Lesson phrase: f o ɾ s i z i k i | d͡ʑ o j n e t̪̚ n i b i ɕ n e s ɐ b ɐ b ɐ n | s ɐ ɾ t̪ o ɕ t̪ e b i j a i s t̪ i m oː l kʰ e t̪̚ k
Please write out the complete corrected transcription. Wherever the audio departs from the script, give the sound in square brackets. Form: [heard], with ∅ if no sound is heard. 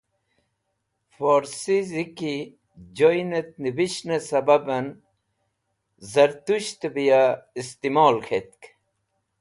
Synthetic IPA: f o ɾ s i z i k i | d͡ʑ o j n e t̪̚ n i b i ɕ n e s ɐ b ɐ b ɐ n | [z] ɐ ɾ t̪ [u] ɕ t̪ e b i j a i s t̪ i m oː l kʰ e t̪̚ k